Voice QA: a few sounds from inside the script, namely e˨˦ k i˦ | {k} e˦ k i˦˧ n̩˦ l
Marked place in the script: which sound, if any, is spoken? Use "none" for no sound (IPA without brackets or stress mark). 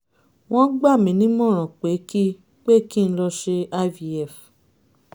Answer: k͡p